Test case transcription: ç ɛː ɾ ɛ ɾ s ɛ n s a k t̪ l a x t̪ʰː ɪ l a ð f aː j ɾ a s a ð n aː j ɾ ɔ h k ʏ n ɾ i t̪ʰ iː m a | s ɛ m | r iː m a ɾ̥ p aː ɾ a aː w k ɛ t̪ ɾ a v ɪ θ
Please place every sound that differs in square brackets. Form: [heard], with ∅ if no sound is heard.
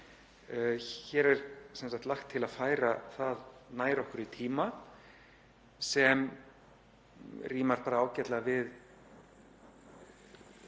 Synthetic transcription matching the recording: ç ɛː ɾ ɛ ɾ s ɛ n s a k t̪ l a x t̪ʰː ɪ l a ð f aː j ɾ a [θ] a ð n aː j ɾ ɔ h k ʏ [∅] ɾ i t̪ʰ iː m a | s ɛ m | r iː m a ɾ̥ p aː ɾ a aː w [c] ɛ t̪ [l] a v ɪ [ð]